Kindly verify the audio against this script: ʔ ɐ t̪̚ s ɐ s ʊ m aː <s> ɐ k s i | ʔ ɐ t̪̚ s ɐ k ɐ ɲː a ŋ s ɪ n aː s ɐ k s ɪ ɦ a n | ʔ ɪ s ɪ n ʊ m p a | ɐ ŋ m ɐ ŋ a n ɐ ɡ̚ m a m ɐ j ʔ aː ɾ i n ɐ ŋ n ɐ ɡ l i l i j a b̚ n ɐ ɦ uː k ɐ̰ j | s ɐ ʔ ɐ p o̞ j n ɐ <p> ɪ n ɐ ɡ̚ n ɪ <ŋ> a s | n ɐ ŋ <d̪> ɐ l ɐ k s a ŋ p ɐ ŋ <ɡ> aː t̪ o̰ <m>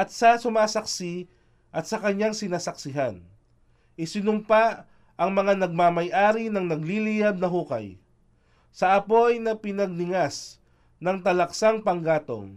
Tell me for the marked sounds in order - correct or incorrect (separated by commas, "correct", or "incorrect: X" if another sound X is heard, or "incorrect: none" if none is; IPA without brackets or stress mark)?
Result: correct, correct, correct, incorrect: t̪, correct, incorrect: ŋ